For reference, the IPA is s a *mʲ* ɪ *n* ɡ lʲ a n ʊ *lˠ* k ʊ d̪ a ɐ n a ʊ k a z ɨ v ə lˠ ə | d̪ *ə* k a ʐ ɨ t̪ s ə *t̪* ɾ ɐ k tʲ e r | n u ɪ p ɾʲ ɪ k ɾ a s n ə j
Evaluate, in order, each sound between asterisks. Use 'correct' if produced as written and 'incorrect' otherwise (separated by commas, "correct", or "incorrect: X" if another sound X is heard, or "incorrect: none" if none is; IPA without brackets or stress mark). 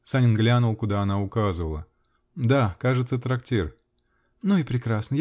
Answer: incorrect: nʲ, correct, correct, incorrect: a, correct